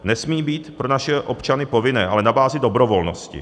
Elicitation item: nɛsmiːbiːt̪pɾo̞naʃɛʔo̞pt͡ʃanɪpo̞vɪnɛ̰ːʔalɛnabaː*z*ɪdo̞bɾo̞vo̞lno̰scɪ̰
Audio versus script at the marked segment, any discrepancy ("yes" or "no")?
no